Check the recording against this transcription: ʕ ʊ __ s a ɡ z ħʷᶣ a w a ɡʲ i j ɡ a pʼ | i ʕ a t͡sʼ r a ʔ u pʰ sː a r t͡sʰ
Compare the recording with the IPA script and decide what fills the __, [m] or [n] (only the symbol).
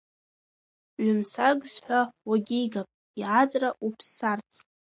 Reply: m